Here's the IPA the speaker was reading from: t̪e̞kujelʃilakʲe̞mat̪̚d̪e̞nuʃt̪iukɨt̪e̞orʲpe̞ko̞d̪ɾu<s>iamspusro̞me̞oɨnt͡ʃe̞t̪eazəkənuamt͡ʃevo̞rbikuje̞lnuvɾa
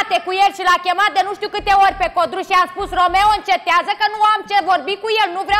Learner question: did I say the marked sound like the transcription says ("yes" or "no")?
no